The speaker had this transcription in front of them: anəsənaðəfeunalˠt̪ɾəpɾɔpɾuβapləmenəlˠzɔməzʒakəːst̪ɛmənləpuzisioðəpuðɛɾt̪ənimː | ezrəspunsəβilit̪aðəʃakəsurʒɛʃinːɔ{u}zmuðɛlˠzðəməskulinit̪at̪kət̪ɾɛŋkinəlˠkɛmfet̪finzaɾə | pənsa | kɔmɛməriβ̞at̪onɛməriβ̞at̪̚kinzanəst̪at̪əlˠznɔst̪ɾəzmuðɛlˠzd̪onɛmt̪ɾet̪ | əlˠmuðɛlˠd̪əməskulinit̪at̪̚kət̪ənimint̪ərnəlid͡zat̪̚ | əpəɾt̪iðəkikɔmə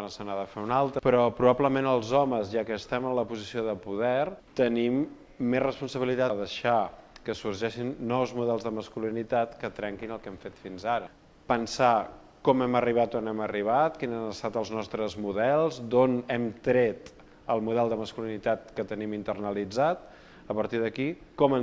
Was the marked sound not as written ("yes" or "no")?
yes